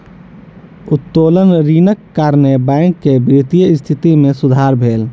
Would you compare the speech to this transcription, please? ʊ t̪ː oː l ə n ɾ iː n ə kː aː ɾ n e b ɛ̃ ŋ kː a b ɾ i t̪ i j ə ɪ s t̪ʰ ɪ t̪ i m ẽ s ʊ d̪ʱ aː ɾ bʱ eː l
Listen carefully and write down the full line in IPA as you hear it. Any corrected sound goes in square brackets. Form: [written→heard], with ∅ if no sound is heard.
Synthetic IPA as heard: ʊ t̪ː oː l ə n ɾ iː n ə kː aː ɾ n e b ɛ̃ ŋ kː [a→e] b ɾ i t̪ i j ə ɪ s t̪ʰ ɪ t̪ i m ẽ s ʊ d̪ʱ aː ɾ bʱ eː l